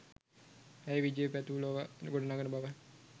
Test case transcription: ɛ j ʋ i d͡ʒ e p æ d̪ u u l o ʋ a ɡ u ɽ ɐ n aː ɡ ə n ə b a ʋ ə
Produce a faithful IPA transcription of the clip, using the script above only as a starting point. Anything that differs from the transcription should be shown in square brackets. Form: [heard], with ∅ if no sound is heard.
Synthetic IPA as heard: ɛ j ʋ i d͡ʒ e p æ [t̪] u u l o ʋ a ɡ [o] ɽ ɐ n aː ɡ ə n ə b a ʋ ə